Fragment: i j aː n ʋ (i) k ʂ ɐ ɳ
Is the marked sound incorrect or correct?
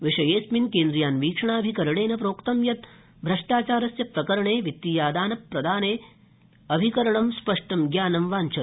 incorrect